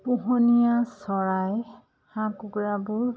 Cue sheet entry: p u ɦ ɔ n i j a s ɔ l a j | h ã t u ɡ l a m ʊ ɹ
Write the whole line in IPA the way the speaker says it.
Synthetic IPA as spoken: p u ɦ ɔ n i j a s ɔ ɹ a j | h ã k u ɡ ɹ a b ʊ ɹ